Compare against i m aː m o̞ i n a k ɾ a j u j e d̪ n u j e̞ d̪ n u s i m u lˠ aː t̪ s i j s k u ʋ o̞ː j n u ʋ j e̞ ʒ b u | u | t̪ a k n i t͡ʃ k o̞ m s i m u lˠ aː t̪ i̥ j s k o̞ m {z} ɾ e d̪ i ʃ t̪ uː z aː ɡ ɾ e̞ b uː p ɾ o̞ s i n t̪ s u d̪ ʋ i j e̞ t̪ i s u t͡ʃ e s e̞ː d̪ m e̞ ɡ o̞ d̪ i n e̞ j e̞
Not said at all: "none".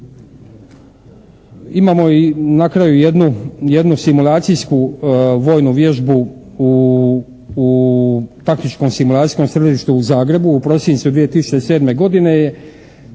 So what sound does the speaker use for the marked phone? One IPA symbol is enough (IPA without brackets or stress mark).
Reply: s